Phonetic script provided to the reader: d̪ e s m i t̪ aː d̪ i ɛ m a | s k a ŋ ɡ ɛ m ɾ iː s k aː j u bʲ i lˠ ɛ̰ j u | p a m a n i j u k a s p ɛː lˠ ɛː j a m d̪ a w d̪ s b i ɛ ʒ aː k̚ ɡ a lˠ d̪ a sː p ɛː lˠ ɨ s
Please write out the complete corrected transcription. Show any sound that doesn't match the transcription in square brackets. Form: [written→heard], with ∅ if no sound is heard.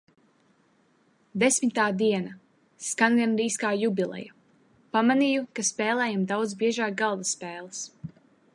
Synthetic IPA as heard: d̪ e s m i t̪ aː d̪ i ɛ [m→n] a | s k a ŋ ɡ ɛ [m→n] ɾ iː s k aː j u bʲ i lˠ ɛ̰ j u | p a m a n i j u k a s p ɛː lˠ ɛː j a m d̪ a w d̪ [s→z] b i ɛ ʒ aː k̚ ɡ a lˠ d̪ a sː p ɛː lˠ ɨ s

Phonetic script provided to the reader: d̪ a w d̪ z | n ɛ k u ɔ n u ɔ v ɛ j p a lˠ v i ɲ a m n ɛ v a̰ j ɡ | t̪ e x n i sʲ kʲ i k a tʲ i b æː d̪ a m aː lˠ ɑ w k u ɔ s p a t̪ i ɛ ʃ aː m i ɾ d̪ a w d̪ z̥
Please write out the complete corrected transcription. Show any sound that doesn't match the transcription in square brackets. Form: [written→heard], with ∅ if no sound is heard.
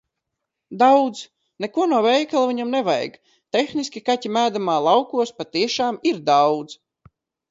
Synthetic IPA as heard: d̪ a w d̪ z | n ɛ k u ɔ n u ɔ v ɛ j [p→k] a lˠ v i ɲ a m n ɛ v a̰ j ɡ | t̪ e x n i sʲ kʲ i k a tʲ i [b→m] æː d̪ a m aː lˠ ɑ w k u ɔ s p a t̪ i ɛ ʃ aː m i ɾ d̪ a w d̪ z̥

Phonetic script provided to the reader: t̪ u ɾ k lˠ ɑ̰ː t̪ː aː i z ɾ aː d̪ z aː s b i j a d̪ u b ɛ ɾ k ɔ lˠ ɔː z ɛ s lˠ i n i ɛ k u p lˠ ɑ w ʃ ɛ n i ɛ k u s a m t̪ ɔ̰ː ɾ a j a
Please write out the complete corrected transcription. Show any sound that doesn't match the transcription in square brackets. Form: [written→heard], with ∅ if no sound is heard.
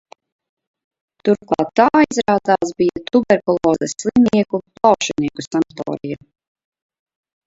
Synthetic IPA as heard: t̪ u ɾ k lˠ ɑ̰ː t̪ː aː i z ɾ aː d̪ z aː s b i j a [d̪→t̪] u b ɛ ɾ k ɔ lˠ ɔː z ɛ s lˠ i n i ɛ k u p lˠ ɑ w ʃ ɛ n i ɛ k u s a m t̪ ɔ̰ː ɾ [a→i] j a

